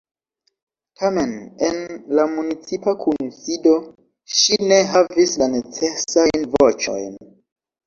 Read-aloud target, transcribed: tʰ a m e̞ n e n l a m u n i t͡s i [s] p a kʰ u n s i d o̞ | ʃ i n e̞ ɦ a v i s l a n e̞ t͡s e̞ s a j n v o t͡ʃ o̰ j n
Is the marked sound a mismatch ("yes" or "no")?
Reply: yes